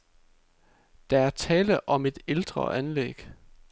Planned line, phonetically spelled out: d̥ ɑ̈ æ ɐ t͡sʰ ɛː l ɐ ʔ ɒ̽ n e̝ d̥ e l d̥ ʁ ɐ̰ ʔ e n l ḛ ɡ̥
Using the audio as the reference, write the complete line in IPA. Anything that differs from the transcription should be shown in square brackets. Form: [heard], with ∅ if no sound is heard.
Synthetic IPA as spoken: d̥ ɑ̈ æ ɐ t͡sʰ ɛː l [ə] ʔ ɒ̽ [m] e̝ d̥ e l d̥ ʁ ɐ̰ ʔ [æ] n l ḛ ɡ̥